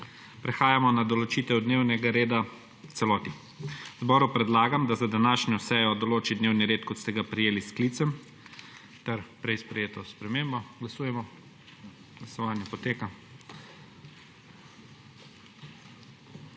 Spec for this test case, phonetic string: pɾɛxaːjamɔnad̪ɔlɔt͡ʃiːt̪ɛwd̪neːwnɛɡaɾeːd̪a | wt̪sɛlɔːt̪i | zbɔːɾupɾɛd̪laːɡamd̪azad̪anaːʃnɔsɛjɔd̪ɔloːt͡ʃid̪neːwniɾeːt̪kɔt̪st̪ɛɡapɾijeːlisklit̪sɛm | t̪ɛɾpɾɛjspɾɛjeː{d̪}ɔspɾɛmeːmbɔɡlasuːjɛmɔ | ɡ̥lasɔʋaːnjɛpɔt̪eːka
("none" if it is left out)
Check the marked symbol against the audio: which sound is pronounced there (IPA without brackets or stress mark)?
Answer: t̪